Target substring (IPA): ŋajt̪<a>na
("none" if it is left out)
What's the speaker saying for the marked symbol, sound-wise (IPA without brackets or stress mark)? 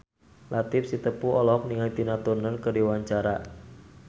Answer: i